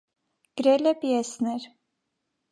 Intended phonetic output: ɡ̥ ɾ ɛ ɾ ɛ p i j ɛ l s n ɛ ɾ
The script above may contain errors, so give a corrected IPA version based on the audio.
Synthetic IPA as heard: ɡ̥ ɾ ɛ l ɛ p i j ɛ s n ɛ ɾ